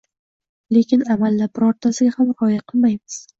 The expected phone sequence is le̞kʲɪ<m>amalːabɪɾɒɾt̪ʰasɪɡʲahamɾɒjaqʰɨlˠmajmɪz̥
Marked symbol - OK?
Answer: no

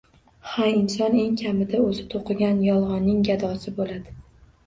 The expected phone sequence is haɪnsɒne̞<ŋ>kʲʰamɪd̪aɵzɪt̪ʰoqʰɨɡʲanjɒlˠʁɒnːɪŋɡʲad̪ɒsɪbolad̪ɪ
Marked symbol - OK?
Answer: yes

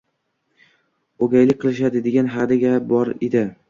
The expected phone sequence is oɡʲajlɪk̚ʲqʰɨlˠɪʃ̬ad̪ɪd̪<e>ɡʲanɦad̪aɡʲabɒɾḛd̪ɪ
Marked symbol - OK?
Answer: yes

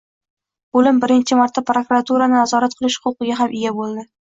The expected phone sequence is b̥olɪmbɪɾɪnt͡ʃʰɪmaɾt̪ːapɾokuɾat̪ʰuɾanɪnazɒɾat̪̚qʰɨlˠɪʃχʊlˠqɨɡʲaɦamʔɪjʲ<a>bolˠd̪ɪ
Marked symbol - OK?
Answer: yes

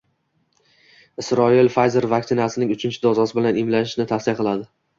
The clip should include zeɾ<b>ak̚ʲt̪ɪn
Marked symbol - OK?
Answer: no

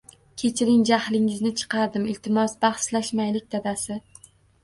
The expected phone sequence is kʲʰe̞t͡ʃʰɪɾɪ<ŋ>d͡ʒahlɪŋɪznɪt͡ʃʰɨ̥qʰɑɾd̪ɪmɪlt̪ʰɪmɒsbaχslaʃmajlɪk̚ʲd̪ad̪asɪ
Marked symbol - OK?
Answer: yes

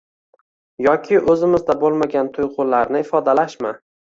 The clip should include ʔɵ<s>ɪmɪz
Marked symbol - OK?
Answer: no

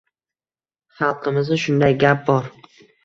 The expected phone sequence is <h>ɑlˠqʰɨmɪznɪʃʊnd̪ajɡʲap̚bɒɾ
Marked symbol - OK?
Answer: no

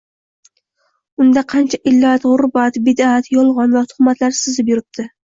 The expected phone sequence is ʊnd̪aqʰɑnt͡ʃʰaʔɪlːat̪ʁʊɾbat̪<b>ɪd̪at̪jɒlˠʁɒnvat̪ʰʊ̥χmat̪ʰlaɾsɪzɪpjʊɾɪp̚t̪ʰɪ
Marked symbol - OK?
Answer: yes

